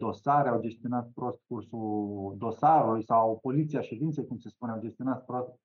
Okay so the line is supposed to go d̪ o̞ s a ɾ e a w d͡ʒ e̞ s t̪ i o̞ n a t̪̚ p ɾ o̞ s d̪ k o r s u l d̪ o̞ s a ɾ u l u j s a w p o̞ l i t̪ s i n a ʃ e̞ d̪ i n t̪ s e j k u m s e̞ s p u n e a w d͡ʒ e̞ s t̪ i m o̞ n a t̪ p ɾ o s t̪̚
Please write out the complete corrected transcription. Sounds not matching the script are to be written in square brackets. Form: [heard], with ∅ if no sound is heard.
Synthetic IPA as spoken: d̪ o̞ s a ɾ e a w d͡ʒ e̞ s t̪ i o̞ n a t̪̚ p ɾ o̞ s [t̪] k [u] r s u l d̪ o̞ s a ɾ u l u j s a w p o̞ l i t̪ s i [∅] a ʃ e̞ d̪ i n t̪ s e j k u m s e̞ s p u n e a w d͡ʒ e̞ s t̪ i [∅] o̞ n a t̪ p ɾ o s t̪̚